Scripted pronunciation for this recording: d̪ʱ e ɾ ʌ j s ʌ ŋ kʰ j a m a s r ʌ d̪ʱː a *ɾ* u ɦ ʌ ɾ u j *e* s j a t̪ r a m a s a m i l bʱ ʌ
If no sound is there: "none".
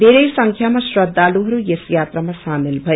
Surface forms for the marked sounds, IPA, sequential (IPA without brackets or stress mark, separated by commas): l, e